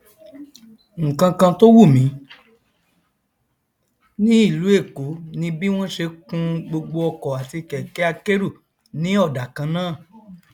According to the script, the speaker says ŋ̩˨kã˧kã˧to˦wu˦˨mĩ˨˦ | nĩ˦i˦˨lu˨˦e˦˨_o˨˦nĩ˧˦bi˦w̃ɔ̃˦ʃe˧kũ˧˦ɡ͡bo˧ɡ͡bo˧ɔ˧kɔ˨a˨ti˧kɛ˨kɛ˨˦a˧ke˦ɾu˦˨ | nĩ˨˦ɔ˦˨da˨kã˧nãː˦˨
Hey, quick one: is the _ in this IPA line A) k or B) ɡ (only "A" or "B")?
A